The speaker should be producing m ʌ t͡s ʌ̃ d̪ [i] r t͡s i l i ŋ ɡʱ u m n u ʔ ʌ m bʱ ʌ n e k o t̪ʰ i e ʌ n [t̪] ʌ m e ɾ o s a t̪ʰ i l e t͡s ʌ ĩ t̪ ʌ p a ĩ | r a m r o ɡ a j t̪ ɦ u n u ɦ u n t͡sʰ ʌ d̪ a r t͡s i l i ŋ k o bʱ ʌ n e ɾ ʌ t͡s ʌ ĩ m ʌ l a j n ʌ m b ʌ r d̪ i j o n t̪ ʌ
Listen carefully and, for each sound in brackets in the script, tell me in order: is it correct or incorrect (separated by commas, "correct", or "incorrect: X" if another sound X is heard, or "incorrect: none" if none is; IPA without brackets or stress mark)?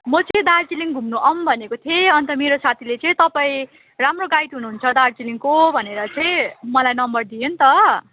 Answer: incorrect: a, correct